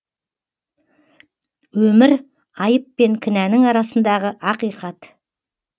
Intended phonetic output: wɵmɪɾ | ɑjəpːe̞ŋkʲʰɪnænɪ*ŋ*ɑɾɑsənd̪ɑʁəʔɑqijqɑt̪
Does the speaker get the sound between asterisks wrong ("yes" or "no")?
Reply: no